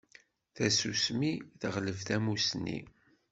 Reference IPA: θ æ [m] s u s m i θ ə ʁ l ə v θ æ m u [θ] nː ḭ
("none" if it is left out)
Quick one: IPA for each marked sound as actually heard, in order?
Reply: none, s

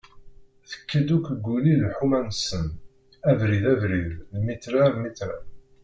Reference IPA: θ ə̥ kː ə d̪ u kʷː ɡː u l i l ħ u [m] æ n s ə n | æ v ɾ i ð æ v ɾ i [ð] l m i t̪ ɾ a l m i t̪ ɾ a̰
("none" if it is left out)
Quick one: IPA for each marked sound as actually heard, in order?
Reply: m, ð

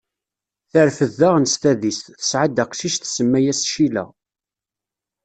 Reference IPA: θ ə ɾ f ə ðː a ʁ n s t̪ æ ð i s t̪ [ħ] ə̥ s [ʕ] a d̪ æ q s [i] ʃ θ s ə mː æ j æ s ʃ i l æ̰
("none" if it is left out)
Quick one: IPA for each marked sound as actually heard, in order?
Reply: θ, ʕ, i

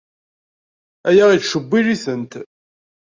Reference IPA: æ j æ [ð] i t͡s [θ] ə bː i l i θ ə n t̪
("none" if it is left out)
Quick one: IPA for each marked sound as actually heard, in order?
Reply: ʁ, ʃ

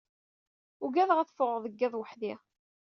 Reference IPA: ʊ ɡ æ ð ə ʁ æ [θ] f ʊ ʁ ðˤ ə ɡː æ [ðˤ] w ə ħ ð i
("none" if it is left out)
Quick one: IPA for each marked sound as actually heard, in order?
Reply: θ, ðˤ

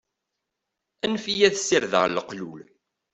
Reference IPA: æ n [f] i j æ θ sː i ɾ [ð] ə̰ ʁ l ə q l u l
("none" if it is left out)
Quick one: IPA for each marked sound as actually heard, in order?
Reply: f, ð

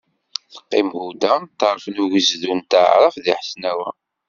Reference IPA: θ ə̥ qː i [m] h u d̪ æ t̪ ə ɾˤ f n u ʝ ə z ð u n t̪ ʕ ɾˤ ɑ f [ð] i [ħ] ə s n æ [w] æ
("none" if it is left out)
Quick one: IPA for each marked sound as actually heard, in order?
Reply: m, ð, ħ, w

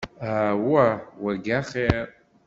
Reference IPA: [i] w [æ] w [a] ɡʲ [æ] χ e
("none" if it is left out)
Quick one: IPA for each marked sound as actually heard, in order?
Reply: a, a, a, a

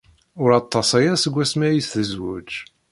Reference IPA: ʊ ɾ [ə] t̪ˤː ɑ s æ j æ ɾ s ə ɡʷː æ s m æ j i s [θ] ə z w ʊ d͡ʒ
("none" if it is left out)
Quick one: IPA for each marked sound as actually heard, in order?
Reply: ɑ, θ

